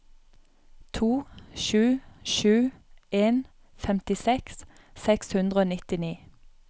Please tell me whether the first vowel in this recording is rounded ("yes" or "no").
yes